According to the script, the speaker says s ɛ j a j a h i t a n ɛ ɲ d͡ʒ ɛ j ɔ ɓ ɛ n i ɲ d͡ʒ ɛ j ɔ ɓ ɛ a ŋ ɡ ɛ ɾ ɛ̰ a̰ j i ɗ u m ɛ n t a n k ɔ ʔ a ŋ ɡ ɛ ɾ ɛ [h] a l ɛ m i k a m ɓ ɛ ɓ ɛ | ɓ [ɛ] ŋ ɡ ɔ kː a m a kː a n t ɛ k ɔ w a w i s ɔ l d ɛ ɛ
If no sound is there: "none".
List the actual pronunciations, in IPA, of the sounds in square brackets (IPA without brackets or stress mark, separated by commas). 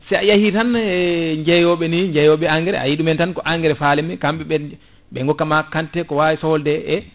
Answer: f, ɛ